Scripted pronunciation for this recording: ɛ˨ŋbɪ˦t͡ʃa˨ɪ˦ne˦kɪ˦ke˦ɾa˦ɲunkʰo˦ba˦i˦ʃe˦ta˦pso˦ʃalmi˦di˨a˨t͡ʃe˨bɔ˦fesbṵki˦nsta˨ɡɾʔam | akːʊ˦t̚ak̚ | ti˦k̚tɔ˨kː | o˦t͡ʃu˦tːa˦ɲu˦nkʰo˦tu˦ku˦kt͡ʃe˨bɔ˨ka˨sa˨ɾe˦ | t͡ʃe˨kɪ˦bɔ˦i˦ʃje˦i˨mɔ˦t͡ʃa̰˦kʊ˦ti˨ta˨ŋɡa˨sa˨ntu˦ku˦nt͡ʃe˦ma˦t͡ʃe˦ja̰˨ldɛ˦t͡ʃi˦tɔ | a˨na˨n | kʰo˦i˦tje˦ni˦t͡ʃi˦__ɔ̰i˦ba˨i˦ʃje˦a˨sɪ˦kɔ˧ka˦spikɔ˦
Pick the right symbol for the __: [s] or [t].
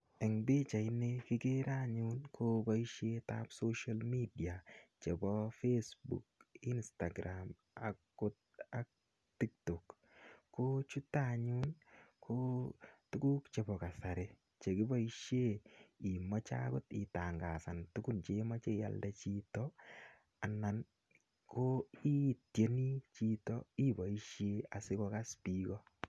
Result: t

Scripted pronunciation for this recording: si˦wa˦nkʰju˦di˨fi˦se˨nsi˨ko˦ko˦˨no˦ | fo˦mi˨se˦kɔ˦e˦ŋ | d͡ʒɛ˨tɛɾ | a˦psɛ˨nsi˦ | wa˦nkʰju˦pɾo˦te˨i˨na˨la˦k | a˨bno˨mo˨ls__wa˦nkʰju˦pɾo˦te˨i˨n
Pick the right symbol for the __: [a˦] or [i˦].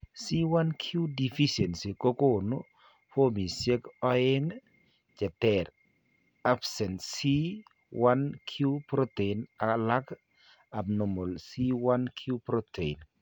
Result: i˦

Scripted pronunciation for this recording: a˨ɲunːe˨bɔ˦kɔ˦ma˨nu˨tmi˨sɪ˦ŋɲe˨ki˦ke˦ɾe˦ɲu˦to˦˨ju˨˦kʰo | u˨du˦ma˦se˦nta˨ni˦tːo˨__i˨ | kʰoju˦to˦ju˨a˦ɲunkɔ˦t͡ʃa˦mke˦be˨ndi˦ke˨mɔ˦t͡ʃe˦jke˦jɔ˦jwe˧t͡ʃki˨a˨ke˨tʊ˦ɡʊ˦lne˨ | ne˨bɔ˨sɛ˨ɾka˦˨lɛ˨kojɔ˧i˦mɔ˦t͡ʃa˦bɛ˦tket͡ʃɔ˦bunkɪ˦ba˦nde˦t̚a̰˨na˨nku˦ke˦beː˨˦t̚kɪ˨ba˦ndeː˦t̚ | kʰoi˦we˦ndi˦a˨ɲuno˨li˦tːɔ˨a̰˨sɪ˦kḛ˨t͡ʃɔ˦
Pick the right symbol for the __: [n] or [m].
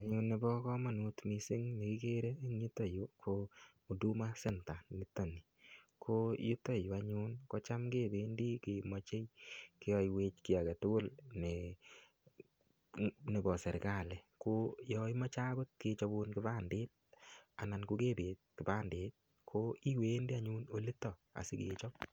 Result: n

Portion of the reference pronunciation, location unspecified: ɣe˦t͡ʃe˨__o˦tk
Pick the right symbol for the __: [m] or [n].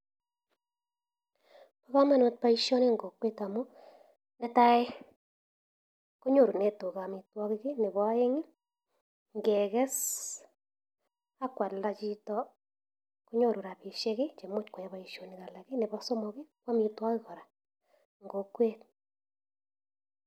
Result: m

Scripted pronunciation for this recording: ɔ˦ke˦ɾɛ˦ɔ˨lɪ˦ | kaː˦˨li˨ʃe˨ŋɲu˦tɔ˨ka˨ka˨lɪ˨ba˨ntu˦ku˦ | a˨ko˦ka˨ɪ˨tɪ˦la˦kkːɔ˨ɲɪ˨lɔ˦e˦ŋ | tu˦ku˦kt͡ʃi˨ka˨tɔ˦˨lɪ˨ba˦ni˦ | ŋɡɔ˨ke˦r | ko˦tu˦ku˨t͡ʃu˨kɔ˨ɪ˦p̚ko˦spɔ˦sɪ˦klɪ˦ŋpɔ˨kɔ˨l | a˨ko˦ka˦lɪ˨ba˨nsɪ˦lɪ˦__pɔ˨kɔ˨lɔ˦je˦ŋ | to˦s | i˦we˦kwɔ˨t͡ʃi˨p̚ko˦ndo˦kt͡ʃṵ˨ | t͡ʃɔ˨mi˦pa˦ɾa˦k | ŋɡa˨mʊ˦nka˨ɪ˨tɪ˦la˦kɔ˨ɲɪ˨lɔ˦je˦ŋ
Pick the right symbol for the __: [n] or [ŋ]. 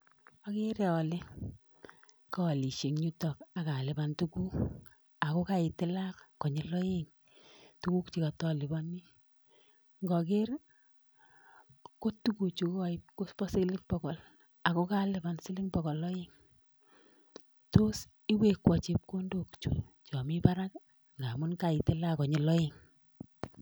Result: ŋ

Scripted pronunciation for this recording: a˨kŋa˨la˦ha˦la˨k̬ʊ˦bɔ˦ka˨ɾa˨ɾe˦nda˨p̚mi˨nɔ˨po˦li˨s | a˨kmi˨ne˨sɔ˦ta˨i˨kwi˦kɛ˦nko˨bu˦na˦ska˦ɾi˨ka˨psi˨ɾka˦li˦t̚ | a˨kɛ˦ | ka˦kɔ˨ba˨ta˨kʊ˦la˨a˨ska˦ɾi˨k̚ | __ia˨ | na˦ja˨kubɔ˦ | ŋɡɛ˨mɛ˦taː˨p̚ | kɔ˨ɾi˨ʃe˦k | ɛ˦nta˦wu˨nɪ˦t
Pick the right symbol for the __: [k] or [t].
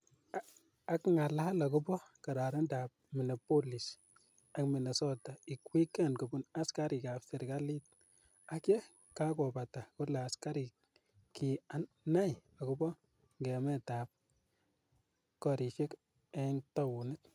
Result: k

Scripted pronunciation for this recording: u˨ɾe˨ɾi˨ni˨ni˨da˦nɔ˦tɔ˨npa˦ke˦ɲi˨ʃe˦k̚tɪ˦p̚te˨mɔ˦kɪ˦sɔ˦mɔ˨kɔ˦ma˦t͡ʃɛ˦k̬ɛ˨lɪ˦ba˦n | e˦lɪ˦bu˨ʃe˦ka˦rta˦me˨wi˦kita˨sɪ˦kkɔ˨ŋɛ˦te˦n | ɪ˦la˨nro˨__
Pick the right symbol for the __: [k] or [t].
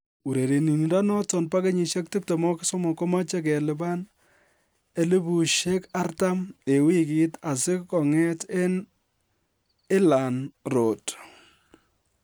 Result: t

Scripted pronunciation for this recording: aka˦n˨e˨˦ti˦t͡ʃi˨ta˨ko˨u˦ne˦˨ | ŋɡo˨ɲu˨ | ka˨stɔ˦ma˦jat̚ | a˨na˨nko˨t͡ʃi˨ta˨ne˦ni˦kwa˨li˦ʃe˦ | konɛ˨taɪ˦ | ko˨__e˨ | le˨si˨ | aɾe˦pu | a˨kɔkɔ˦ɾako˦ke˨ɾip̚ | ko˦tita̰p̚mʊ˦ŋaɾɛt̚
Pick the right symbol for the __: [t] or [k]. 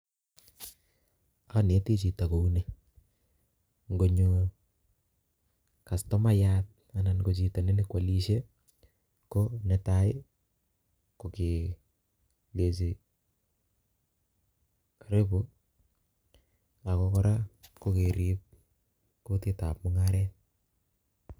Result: k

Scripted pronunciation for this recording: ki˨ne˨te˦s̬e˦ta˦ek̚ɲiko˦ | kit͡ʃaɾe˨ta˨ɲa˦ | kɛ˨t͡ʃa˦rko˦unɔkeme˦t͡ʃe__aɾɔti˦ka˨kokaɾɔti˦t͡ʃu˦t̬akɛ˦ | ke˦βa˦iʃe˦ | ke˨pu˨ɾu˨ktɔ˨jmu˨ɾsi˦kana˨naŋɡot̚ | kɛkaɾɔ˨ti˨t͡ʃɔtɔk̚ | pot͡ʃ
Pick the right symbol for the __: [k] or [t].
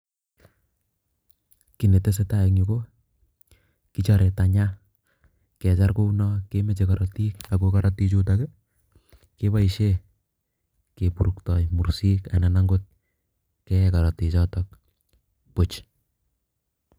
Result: k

